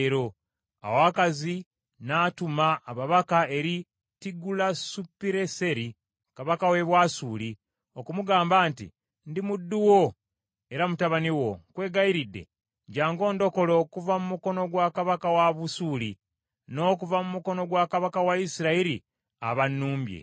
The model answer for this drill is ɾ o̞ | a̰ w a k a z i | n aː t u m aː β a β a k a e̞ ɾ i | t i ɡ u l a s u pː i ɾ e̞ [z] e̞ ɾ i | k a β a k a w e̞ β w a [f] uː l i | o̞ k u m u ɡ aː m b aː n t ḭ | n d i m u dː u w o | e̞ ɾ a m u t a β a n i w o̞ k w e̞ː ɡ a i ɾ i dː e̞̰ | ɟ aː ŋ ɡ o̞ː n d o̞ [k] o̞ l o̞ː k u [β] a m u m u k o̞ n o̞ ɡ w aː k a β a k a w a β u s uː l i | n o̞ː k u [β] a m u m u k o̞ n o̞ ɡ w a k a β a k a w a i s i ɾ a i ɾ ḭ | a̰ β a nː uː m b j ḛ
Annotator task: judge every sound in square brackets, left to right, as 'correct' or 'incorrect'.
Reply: incorrect: s, incorrect: s, correct, incorrect: v, incorrect: v

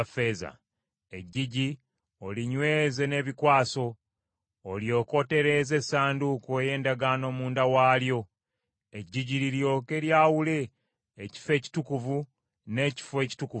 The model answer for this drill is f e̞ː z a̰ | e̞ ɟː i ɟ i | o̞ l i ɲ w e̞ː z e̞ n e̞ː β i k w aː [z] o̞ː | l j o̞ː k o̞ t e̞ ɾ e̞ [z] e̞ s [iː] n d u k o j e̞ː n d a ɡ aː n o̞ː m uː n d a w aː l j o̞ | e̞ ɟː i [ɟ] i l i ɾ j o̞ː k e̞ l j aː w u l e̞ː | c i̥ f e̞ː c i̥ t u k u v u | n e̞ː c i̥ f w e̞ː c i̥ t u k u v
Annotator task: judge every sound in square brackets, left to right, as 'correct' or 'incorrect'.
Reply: incorrect: s, correct, incorrect: aː, correct

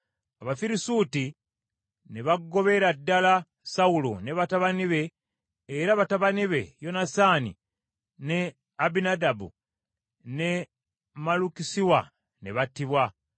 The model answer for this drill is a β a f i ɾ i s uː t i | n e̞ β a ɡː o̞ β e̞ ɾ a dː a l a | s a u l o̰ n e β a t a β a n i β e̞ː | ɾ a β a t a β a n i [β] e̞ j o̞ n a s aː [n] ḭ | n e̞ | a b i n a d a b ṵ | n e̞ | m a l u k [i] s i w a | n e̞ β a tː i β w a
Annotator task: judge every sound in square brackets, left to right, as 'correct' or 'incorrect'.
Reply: correct, correct, correct

